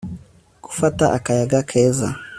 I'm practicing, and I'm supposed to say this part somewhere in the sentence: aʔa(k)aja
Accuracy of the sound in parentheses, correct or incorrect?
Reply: correct